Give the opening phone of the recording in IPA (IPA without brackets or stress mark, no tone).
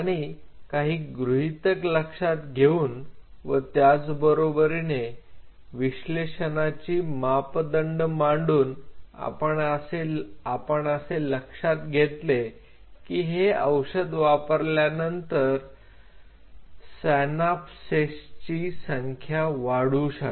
a